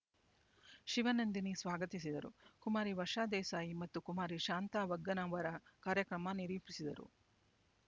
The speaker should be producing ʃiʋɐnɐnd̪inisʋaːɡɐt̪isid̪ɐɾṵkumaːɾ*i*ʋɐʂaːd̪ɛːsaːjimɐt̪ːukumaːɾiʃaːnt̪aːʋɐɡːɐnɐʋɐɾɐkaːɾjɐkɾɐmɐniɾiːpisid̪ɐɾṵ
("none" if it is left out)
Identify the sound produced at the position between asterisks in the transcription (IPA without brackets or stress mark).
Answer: i